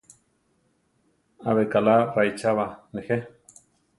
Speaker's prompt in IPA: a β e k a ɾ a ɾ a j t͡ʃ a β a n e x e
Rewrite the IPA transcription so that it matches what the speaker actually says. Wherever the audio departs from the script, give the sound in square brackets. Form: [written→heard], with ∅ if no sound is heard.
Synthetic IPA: a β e k a [ɾ→l] a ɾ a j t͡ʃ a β a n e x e